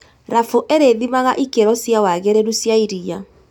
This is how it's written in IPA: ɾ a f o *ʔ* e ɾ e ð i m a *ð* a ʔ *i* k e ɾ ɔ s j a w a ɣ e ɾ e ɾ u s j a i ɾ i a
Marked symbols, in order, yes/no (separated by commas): yes, no, yes